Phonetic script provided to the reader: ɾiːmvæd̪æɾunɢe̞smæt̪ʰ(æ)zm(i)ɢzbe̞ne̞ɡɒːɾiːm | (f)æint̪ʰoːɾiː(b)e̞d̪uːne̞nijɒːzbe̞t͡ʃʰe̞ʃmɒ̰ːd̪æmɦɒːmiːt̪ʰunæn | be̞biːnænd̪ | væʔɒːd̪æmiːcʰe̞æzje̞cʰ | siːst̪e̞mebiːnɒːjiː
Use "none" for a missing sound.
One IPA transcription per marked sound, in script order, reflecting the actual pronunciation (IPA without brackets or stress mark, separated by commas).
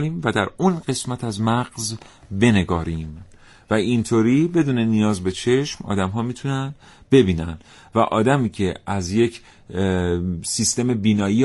æ, æ, v, b